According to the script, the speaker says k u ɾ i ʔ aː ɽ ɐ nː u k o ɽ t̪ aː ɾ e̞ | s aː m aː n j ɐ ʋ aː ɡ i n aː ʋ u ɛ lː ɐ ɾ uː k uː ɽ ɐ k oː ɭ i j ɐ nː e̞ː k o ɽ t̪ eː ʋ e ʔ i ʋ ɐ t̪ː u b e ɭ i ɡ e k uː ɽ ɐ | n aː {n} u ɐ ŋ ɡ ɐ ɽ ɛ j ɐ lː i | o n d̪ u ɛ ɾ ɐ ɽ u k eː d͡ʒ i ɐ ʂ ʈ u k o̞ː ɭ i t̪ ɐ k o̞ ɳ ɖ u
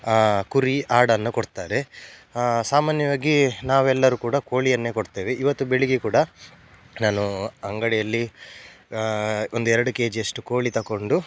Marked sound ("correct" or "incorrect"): correct